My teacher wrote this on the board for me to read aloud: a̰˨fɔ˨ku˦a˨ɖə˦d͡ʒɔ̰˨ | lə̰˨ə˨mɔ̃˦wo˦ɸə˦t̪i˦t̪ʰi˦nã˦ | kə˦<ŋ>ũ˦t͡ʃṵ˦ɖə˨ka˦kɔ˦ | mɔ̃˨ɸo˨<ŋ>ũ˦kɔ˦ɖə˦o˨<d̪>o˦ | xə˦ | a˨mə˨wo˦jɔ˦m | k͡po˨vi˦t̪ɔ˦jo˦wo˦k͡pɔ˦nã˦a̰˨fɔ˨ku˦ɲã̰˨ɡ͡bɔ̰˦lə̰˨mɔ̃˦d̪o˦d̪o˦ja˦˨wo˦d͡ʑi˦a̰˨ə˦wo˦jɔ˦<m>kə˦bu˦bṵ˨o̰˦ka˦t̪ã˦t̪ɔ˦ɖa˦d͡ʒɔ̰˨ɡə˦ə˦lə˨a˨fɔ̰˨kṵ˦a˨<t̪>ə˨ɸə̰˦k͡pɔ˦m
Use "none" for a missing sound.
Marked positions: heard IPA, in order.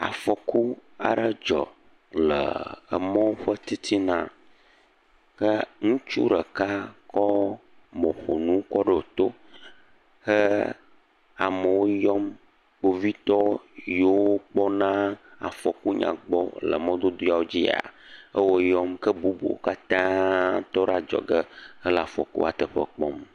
ŋ, n, t̪, m, t̪

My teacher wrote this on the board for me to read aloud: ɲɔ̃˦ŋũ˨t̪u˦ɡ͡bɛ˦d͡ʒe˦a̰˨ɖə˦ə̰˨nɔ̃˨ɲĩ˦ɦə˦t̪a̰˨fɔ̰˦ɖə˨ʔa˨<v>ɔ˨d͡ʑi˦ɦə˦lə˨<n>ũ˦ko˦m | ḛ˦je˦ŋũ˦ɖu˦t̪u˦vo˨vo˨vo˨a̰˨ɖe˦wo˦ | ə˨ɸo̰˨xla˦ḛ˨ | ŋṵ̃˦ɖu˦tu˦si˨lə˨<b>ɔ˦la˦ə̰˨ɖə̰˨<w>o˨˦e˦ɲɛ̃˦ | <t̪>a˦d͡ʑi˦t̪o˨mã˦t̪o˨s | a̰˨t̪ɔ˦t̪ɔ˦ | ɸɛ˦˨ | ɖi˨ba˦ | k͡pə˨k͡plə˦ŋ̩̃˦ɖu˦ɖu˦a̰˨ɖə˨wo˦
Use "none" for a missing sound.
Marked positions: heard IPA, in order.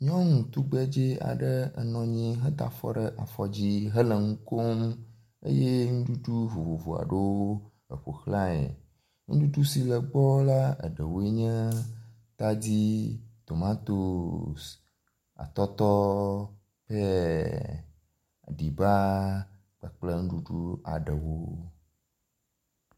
f, ŋ, ɡ͡b, w, t̪

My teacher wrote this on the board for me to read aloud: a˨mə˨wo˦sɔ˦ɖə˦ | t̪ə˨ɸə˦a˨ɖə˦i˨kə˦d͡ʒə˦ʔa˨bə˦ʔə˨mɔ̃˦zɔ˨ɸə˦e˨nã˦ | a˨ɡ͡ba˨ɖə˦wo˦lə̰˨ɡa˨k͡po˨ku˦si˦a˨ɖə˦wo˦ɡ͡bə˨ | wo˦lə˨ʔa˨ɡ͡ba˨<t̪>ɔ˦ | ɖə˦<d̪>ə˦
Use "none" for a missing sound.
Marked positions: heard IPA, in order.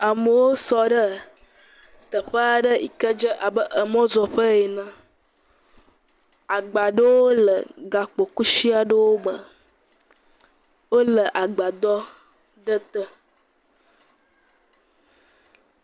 d̪, t̪

